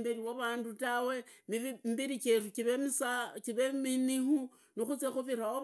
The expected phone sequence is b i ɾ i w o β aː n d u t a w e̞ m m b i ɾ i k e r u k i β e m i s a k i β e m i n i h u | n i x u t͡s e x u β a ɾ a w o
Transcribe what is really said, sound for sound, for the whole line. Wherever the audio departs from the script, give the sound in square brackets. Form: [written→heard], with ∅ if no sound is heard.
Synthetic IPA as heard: b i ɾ i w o β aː n d u t a w e̞ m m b i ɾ i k e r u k i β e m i s a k i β e m i n i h u | n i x u t͡s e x u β [a→i] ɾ a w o